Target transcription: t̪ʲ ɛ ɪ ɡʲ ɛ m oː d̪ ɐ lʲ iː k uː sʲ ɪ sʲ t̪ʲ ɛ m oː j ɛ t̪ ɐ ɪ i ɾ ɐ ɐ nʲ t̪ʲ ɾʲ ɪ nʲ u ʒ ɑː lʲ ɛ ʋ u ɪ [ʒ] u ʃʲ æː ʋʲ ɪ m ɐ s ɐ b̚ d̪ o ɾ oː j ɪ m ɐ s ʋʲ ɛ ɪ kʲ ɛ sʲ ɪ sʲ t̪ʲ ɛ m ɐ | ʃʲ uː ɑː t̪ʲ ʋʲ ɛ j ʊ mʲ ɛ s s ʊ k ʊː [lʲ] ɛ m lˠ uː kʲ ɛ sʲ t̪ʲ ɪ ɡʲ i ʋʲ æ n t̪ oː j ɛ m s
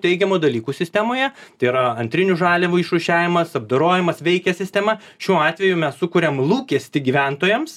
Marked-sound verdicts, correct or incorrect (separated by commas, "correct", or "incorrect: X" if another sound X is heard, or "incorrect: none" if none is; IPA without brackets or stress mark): incorrect: ʃ, incorrect: ɾʲ